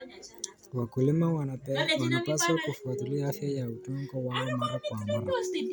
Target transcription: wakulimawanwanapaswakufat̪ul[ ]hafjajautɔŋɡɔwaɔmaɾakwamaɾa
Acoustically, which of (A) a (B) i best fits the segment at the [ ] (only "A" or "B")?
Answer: B